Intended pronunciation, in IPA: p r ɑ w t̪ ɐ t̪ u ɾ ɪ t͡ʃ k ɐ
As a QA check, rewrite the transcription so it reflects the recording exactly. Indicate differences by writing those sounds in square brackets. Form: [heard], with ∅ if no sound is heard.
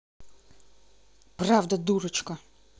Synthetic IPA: p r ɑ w [d̪] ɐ [d̪] u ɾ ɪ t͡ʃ k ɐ